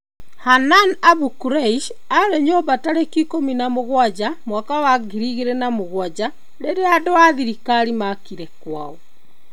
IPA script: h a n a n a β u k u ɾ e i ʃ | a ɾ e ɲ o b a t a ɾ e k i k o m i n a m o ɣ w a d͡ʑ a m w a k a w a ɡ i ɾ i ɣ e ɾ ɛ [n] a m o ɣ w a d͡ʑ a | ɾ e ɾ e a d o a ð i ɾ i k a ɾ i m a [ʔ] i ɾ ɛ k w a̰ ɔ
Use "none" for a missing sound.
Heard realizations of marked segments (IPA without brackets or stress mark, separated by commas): n, k